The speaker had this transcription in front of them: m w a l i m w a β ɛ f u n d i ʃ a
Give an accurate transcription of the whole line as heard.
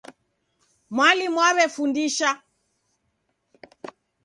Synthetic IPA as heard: m w a l i m w a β ɛ f u n d i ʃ a